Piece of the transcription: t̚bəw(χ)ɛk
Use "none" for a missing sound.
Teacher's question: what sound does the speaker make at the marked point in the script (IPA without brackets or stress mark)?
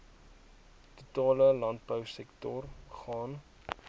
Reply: s